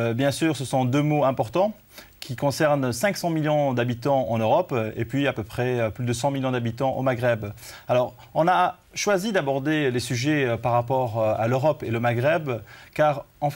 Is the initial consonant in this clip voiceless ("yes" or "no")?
no